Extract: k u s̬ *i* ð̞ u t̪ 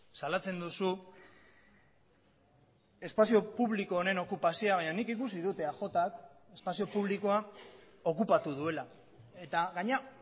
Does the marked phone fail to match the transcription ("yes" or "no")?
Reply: no